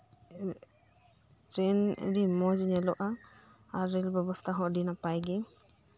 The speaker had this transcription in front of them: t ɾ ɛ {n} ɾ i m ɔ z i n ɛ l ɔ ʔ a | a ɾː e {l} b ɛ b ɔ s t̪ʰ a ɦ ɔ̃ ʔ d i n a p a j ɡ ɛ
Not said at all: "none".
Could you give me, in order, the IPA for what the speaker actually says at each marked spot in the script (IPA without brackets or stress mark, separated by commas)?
n, l